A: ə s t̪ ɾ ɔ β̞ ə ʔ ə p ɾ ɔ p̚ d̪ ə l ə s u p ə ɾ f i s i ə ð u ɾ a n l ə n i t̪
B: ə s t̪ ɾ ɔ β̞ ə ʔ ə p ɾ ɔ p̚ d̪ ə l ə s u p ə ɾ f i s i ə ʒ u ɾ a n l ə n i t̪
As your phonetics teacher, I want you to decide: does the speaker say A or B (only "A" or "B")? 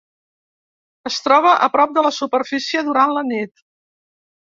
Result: A